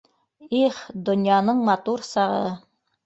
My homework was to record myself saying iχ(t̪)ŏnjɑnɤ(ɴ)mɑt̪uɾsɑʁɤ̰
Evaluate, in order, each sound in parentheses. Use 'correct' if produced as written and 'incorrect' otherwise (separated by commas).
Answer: incorrect, correct